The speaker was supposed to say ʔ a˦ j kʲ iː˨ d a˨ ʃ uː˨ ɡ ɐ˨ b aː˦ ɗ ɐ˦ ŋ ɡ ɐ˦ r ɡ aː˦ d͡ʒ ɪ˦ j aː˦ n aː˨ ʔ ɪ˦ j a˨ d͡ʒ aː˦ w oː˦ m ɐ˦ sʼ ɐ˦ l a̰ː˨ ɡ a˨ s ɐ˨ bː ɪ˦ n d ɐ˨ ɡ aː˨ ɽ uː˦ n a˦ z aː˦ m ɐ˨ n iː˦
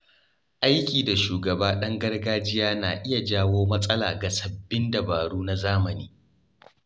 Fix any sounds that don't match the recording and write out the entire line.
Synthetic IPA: ʔ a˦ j kʲ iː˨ d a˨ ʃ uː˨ ɡ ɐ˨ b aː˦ ɗ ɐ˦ ŋ ɡ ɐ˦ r ɡ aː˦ d͡ʒ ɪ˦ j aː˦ n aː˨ ʔ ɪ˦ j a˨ d͡ʒ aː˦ w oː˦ m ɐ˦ sʼ ɐ˦ l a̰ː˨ ɡ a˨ s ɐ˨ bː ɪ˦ n d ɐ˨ b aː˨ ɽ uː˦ n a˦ z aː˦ m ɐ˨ n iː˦

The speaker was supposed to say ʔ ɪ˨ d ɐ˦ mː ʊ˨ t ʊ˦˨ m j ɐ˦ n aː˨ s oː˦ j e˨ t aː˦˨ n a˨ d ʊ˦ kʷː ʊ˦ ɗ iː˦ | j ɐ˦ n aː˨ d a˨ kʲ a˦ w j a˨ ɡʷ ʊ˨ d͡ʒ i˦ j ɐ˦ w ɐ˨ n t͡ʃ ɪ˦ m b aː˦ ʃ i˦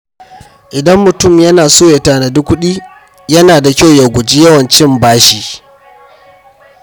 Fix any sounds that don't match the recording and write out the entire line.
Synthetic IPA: ʔ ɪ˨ d ɐ˦ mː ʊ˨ t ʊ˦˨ m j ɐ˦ n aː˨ s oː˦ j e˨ t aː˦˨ n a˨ d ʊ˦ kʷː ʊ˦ ɗ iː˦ | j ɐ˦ n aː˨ d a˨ kʲ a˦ w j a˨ ɡʷ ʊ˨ d͡ʒ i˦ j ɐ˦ w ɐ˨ n t͡ʃ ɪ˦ m b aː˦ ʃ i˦

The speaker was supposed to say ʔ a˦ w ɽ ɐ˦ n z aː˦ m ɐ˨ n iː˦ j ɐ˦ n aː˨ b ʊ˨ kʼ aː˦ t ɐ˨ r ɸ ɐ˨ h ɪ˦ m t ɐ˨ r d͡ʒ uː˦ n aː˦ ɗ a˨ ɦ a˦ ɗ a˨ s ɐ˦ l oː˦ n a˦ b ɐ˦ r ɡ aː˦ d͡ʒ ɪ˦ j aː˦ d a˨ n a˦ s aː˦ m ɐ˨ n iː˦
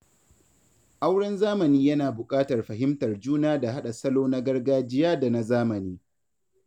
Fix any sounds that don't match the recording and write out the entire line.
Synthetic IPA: ʔ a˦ w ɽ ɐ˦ n z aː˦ m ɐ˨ n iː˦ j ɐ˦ n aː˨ b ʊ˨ kʼ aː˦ t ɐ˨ r ɸ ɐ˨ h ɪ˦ m t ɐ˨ r d͡ʒ uː˦ n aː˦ d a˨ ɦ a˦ ɗ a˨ s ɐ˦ l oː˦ n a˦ ɡ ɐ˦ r ɡ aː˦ d͡ʒ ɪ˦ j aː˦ d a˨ n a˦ z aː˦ m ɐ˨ n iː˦

